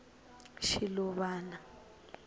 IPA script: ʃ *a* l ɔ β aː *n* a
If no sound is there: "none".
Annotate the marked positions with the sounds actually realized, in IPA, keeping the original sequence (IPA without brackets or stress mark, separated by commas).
i, n